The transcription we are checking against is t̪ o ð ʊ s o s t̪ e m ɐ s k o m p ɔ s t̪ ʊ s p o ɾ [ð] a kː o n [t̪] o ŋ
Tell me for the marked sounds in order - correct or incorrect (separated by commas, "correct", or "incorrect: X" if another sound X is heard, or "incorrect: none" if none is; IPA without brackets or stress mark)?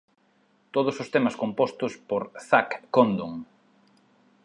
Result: incorrect: θ, incorrect: d̪